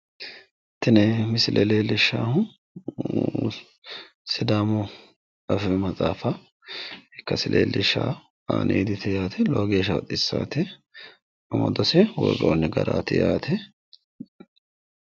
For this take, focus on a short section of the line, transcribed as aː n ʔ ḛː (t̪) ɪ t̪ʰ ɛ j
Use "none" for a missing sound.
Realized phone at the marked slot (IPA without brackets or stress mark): d̪